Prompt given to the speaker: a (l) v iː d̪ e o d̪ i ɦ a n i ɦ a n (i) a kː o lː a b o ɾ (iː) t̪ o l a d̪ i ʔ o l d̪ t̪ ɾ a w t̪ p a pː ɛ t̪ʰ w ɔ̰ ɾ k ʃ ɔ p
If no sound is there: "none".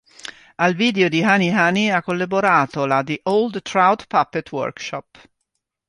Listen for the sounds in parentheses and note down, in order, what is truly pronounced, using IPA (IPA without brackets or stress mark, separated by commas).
l, i, aː